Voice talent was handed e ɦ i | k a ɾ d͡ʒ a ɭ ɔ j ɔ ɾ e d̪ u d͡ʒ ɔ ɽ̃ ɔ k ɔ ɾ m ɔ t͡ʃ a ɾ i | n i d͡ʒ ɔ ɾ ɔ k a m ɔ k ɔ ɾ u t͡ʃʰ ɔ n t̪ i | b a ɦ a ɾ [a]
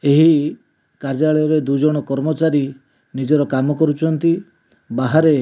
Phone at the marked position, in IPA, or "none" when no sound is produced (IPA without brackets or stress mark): e